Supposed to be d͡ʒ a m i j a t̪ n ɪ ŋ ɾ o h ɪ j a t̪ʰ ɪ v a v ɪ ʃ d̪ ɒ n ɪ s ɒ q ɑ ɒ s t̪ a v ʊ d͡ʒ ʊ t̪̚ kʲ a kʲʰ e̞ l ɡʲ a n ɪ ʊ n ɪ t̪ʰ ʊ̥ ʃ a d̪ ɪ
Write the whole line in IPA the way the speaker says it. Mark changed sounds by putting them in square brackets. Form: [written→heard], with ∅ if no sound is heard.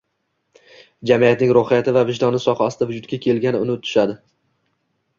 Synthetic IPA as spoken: d͡ʒ a m i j a t̪ n ɪ ŋ ɾ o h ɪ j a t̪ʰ ɪ v a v ɪ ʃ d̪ ɒ n ɪ s ɒ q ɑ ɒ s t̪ a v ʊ d͡ʒ ʊ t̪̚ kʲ a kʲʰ e̞ l ɡʲ a n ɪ ʊ n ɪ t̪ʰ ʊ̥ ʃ a d̪ ɪ